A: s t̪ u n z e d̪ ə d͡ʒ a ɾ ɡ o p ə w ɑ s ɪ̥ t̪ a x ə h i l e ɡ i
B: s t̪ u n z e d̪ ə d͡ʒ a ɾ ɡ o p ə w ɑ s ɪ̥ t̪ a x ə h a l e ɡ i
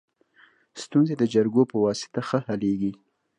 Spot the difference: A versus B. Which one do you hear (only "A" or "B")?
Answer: B